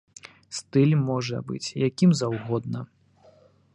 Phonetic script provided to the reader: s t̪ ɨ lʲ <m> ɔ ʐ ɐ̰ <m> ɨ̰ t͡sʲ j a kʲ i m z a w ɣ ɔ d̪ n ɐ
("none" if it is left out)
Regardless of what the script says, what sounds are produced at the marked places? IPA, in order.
m, b

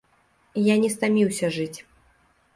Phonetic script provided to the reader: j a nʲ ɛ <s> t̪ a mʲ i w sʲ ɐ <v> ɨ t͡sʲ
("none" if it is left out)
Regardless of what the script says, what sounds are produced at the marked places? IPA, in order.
s, ʐ

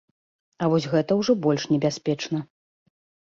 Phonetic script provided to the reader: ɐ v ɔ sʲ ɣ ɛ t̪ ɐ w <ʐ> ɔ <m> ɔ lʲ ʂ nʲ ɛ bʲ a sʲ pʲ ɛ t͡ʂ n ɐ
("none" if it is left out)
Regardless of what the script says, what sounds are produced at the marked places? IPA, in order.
ʐ, b

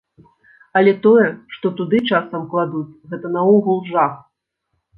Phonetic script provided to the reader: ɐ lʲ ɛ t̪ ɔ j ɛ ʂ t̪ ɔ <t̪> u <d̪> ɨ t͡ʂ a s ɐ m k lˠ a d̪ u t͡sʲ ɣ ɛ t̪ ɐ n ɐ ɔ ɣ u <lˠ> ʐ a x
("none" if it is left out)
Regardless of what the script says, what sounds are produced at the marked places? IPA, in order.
t̪, d̪, lˠ

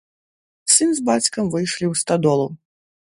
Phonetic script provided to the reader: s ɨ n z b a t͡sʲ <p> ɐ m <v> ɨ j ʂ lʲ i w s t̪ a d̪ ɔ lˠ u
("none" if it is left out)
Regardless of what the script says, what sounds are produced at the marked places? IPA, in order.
k, v

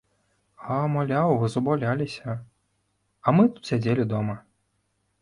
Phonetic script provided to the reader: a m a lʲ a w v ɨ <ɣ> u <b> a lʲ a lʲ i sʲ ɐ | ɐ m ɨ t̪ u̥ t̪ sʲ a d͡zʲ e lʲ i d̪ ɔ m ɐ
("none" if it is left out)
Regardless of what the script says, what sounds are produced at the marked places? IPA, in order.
z, b

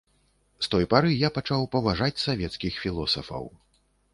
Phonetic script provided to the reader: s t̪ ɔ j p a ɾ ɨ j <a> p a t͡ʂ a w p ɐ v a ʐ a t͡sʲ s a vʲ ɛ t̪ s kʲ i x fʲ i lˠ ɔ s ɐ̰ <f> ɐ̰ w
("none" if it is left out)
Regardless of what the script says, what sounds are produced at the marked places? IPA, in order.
a, f

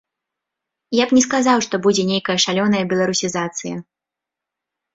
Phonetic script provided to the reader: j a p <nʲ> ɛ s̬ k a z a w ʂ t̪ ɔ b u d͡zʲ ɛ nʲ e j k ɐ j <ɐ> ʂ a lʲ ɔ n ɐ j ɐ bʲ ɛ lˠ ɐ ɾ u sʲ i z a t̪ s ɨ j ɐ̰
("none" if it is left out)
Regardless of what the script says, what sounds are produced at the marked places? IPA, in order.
nʲ, ɐ

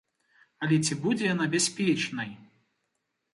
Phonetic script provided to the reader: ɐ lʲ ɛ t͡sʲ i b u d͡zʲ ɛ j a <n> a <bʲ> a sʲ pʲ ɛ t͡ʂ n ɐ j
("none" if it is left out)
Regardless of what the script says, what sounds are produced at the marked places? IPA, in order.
n, bʲ

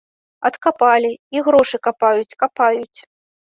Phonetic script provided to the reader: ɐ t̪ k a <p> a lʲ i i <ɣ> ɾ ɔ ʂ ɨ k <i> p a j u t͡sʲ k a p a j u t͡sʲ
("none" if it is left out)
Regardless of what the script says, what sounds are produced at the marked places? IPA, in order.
p, ɣ, a

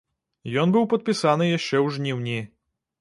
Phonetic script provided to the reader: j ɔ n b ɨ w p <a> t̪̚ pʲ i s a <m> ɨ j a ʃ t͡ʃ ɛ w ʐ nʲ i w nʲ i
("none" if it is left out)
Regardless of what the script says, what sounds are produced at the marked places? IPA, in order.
ɐ, n

